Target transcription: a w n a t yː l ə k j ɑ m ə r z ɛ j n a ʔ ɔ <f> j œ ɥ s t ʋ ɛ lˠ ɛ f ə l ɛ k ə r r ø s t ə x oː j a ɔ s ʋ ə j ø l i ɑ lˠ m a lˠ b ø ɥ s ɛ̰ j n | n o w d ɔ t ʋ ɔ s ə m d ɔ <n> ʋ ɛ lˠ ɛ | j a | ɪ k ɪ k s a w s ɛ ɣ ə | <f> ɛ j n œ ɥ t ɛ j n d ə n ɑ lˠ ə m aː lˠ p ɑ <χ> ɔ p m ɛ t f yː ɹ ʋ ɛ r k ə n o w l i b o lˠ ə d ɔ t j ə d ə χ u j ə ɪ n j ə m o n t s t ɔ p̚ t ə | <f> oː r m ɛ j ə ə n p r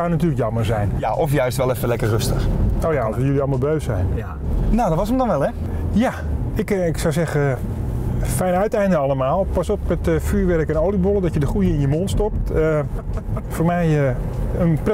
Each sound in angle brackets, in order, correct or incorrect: correct, correct, correct, incorrect: s, correct

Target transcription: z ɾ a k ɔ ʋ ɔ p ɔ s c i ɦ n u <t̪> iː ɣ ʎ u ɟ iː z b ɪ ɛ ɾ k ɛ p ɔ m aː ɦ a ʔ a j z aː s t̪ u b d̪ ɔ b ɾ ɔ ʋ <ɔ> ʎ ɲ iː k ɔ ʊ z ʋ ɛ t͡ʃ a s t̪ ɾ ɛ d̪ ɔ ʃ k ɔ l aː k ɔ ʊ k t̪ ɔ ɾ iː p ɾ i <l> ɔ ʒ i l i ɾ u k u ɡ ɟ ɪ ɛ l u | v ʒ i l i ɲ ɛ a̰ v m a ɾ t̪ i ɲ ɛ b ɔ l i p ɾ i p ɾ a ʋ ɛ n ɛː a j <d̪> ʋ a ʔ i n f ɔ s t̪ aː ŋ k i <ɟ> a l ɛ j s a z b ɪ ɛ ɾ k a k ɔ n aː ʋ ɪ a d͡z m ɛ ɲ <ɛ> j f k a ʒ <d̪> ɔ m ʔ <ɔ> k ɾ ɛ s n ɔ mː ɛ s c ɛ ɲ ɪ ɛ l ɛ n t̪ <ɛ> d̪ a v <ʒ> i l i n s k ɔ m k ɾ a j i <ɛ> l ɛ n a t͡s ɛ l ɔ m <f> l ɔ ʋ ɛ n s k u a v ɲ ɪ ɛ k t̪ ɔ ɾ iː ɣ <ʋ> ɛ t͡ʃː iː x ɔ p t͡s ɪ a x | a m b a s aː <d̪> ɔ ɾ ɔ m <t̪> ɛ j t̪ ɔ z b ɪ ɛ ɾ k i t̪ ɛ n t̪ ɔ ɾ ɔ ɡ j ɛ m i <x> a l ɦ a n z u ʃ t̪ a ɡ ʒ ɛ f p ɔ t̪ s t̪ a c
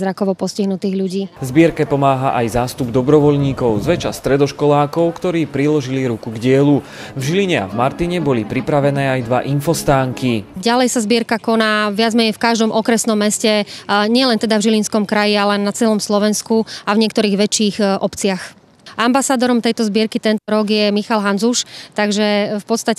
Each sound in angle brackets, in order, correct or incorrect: correct, correct, correct, correct, correct, correct, correct, correct, correct, correct, incorrect: a, incorrect: s, correct, correct, correct, correct

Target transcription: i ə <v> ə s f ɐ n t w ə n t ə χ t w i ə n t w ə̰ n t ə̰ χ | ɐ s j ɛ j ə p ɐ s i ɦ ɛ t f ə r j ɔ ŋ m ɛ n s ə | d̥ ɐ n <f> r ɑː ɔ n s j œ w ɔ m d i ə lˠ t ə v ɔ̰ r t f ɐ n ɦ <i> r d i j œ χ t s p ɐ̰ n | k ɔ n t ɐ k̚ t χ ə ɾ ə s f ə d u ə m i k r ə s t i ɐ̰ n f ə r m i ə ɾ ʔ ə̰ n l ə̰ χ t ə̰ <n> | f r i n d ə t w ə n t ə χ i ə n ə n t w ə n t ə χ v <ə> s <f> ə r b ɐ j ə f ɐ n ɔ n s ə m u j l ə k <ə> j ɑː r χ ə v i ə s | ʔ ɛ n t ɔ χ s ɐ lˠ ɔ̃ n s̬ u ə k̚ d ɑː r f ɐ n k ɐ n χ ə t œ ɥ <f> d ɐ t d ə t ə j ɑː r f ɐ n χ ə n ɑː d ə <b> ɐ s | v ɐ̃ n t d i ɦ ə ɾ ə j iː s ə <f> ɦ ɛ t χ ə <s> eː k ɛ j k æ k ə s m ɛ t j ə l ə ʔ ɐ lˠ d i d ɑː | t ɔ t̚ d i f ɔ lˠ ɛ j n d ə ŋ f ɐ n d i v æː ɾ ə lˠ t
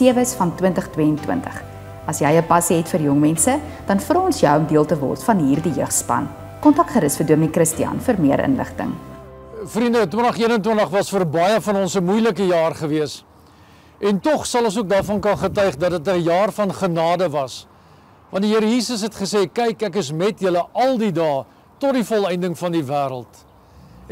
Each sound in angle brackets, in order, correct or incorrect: correct, correct, incorrect: iː, incorrect: ŋ, incorrect: ɐ, correct, correct, incorrect: χ, incorrect: v, incorrect: s, correct

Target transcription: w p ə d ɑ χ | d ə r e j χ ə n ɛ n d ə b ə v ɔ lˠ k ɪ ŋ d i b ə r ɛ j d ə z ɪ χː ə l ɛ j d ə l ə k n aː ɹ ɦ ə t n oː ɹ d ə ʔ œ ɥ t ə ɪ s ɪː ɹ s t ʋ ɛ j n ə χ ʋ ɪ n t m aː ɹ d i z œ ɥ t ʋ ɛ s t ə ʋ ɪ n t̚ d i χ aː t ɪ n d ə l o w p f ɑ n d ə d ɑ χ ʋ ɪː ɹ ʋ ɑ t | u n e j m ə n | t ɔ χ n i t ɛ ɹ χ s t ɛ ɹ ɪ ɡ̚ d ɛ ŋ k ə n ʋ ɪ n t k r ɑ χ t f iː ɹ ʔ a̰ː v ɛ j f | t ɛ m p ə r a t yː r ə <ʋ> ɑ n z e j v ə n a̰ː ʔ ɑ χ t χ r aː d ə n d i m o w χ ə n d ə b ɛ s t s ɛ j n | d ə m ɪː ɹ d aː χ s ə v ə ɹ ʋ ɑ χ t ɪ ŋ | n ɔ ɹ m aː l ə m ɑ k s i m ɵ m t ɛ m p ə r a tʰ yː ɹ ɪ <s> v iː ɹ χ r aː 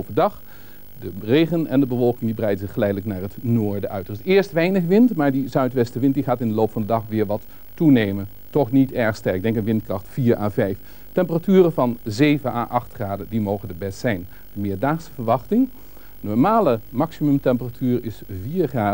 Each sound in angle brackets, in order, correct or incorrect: incorrect: v, correct

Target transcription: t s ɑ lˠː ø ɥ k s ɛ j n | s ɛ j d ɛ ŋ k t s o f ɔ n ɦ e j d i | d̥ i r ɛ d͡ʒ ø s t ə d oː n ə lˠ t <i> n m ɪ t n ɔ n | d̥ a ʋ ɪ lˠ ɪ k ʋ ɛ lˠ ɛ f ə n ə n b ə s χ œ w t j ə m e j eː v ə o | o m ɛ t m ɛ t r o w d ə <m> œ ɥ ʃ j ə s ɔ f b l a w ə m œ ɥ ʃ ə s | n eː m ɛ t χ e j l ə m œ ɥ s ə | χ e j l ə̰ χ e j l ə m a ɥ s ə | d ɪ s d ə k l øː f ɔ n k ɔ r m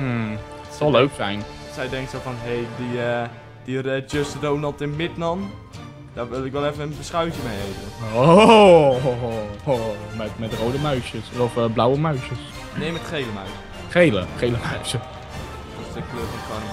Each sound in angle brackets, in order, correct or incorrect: incorrect: ɪ, correct

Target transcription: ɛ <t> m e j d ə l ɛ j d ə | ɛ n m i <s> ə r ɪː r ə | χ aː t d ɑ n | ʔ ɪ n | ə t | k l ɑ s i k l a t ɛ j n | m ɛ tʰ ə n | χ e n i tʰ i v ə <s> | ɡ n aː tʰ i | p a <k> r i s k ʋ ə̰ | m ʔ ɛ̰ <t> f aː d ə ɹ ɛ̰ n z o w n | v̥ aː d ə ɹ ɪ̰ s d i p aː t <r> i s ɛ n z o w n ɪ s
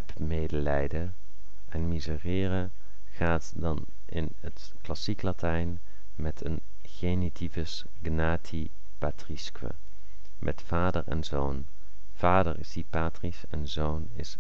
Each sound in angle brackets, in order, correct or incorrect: incorrect: p, incorrect: z, correct, incorrect: t, correct, correct

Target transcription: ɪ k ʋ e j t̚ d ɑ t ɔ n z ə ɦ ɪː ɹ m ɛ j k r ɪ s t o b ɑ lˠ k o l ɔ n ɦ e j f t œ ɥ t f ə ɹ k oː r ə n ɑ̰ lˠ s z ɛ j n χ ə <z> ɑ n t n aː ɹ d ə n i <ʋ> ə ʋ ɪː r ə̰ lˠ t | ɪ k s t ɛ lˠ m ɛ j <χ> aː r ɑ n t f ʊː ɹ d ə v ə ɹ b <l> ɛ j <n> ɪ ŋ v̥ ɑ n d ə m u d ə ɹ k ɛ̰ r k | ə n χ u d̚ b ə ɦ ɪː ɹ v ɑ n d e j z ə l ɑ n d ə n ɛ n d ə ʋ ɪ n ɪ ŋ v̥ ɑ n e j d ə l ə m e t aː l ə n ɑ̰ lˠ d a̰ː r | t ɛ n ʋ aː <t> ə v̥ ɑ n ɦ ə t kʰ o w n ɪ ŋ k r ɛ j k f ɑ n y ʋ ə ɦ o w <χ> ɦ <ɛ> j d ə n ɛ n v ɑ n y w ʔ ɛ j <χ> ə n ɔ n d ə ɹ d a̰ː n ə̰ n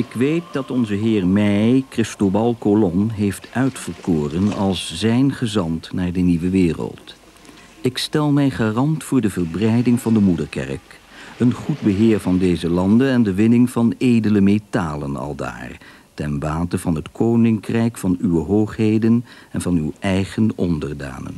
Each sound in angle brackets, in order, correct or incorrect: correct, correct, correct, incorrect: r, incorrect: d, correct, correct, incorrect: e, correct

